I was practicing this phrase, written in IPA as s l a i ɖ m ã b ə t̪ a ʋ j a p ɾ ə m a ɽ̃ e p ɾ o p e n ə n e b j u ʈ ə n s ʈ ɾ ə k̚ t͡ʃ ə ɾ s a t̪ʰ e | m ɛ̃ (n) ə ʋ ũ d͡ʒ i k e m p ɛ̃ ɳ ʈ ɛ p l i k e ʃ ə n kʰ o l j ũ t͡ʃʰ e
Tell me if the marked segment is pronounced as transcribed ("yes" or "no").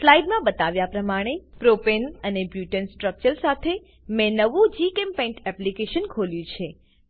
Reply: yes